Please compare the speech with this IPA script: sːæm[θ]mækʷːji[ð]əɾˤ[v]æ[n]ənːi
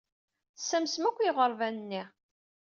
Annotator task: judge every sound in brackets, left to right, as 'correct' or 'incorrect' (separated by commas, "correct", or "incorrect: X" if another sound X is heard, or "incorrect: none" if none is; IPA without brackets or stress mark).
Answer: incorrect: s, incorrect: ʁ, correct, correct